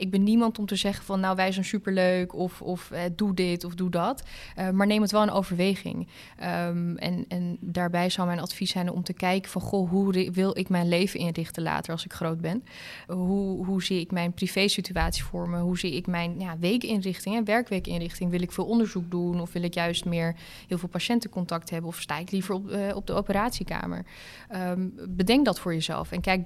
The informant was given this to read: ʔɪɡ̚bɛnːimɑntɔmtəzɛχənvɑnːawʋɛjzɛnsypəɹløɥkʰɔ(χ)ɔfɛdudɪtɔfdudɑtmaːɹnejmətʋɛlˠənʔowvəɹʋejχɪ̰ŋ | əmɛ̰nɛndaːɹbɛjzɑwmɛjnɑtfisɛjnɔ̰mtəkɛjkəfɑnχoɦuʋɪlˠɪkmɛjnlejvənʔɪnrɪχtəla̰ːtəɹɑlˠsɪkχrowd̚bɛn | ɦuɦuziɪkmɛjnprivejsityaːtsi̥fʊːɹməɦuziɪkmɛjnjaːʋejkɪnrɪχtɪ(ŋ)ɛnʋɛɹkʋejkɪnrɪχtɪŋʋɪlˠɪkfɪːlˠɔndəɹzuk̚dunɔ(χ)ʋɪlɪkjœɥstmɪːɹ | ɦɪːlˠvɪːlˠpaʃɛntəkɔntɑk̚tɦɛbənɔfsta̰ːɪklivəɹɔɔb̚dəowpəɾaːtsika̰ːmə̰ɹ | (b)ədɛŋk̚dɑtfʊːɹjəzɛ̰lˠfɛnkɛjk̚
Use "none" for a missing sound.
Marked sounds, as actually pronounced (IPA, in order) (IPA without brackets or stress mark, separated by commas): f, ŋ, f, b